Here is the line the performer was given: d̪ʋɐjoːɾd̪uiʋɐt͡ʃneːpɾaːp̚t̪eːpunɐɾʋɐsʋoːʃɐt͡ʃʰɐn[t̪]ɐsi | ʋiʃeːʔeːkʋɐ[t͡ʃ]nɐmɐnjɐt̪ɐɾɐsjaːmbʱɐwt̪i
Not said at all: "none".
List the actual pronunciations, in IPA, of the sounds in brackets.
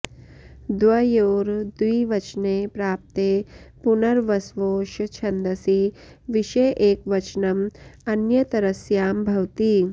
d̪, t͡ʃ

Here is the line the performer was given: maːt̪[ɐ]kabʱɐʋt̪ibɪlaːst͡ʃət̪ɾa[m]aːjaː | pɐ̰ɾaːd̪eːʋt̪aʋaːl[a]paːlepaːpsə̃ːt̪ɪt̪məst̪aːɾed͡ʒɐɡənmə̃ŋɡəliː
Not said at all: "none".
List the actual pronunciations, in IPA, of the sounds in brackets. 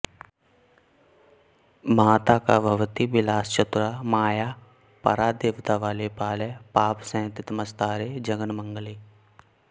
a, m, e

